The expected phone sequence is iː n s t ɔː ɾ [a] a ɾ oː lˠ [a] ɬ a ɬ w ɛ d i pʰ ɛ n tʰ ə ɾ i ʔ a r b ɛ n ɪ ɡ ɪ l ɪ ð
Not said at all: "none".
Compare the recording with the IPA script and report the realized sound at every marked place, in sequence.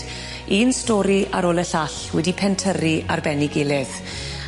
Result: i, ə

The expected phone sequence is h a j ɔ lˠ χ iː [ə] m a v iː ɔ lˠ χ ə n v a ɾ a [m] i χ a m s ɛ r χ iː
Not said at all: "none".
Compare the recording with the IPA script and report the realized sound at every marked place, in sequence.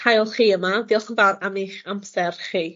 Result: ə, m

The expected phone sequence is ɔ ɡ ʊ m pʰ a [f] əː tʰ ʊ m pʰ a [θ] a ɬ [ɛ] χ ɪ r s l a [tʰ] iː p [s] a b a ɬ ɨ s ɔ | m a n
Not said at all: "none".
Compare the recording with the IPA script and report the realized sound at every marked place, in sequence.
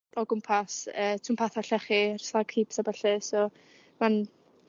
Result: s, θ, ɛ, kʰ, s

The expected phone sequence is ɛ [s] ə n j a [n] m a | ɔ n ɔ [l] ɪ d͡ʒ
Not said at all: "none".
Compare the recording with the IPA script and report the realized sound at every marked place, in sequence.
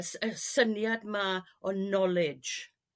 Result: s, d, l

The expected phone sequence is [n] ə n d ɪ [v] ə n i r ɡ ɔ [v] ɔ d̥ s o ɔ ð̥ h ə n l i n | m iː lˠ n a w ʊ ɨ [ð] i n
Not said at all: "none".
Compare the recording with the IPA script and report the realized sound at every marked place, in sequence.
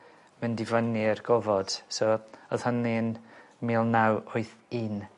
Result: m, v, v, θ

